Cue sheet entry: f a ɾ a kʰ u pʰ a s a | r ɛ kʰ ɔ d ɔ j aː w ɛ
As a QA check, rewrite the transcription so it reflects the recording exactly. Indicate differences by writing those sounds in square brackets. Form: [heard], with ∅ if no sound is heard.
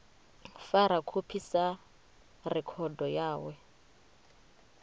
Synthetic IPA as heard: f a ɾ a kʰ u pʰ [i] s a | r ɛ kʰ ɔ d ɔ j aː w ɛ